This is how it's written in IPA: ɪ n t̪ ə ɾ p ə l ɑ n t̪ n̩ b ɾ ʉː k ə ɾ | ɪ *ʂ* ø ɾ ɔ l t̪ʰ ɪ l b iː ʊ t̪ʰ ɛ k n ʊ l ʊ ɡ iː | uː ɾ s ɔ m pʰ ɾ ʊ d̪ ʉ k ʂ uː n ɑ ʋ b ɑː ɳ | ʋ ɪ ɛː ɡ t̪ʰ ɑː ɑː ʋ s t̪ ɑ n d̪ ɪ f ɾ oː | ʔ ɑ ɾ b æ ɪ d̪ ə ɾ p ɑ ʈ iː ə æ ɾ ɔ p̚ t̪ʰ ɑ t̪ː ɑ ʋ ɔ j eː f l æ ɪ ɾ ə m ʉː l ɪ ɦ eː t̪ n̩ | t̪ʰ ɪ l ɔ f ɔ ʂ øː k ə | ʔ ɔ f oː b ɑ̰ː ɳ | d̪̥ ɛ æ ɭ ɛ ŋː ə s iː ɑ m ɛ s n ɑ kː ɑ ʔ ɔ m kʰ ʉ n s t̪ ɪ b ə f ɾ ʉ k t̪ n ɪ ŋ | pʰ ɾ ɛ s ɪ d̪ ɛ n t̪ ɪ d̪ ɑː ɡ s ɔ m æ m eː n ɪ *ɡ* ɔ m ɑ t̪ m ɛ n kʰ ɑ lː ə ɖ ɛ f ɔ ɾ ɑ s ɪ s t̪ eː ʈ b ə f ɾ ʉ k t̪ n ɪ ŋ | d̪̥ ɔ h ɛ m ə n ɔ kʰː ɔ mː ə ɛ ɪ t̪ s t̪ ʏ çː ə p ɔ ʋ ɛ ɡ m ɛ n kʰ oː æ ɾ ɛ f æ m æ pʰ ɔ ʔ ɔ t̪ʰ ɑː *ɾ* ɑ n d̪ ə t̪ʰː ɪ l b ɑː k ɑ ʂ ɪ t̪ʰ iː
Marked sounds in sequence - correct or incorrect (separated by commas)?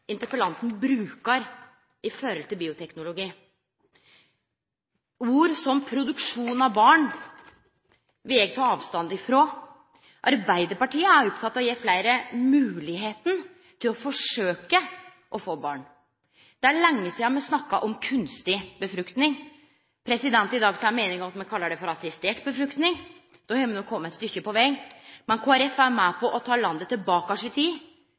incorrect, incorrect, incorrect